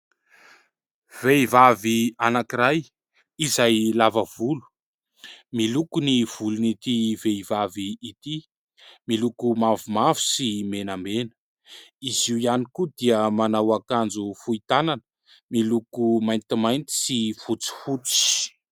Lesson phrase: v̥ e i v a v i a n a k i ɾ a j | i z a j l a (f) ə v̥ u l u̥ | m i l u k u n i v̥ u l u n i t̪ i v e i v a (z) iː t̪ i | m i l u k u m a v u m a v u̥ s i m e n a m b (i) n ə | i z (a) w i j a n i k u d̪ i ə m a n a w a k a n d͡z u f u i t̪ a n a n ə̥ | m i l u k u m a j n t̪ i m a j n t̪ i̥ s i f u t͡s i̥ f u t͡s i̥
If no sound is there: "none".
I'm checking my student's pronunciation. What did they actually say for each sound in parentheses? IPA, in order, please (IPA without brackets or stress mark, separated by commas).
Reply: v, v, e, i